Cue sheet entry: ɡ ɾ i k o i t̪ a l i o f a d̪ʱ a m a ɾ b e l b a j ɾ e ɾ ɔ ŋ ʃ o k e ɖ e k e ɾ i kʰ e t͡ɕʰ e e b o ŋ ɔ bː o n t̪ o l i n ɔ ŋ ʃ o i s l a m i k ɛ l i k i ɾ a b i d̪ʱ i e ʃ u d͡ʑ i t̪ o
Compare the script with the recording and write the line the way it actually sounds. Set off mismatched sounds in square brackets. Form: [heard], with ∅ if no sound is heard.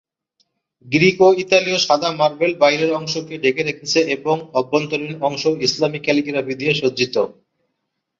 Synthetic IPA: ɡ ɾ i k o i t̪ a l i o [ʃ] a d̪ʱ a m a ɾ b e l b a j ɾ e ɾ ɔ ŋ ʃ o k e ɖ e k e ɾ [e] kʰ e t͡ɕʰ e e b o ŋ ɔ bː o n t̪ o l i n ɔ ŋ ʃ o i s l a m i k ɛ l i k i ɾ a b i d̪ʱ i e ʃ [o] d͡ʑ i t̪ o